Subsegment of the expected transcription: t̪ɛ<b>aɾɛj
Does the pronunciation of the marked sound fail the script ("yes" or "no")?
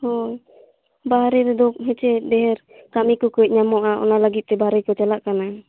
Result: no